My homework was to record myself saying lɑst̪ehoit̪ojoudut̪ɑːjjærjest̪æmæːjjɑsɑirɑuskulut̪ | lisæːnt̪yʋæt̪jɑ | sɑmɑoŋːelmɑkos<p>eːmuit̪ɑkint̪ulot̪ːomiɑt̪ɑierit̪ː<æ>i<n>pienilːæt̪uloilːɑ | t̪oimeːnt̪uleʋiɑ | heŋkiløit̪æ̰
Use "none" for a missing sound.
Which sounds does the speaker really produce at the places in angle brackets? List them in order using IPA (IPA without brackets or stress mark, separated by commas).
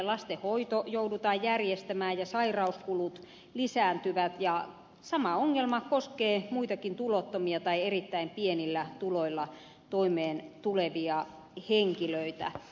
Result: k, æ, m